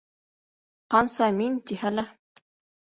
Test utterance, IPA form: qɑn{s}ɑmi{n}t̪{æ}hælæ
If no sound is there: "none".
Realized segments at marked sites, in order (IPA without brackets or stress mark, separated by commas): s, n, i